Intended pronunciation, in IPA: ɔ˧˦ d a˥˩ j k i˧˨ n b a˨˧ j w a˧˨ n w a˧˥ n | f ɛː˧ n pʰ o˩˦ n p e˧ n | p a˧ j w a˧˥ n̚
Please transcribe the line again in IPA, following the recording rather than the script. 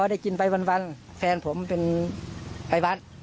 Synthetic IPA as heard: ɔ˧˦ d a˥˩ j k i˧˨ n p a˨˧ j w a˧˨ n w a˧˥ n | f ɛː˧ n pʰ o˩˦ m p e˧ n | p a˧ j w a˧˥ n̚